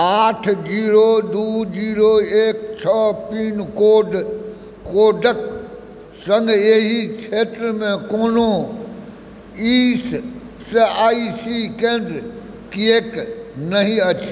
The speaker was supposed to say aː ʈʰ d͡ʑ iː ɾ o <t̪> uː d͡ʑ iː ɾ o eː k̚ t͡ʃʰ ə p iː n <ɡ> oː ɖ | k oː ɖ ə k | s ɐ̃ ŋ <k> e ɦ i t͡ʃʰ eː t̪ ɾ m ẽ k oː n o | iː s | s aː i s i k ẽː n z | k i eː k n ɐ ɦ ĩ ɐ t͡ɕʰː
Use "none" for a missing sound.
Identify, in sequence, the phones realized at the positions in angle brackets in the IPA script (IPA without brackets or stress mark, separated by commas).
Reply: d̪, k, ɡ